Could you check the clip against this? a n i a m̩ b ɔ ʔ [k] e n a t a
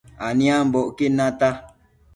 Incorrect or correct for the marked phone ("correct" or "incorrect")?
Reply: correct